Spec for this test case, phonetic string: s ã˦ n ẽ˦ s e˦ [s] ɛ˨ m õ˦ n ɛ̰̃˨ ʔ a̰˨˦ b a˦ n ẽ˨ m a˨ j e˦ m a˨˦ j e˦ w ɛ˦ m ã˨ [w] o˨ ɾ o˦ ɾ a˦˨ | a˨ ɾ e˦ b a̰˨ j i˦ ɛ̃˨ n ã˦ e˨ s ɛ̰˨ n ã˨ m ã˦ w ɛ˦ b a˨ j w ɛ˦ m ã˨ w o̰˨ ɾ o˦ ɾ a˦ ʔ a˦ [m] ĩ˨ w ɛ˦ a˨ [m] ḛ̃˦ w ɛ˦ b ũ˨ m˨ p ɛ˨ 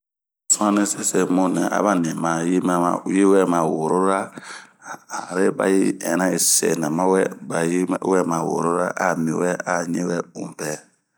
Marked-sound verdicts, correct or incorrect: correct, correct, correct, incorrect: ɲ

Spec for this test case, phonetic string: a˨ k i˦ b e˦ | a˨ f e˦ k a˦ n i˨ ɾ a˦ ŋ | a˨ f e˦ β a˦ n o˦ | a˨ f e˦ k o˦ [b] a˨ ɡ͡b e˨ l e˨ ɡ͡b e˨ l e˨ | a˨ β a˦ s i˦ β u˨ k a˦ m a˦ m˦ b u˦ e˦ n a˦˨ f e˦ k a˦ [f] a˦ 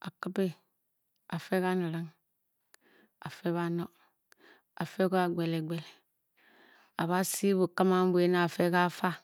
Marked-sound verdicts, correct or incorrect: incorrect: none, correct

